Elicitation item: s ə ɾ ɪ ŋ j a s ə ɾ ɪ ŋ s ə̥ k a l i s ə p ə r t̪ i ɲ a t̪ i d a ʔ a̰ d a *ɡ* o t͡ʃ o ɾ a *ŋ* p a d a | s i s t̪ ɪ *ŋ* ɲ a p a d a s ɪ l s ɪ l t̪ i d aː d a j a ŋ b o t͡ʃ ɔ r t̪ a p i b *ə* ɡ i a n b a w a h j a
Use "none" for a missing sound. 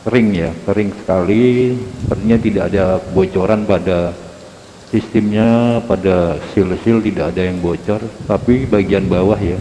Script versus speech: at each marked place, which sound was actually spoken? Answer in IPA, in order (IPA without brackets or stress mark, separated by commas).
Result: b, n, m, a